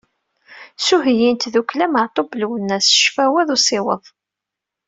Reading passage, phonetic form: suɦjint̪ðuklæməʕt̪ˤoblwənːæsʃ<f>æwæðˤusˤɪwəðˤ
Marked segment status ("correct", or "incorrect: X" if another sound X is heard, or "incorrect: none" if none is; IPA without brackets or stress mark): correct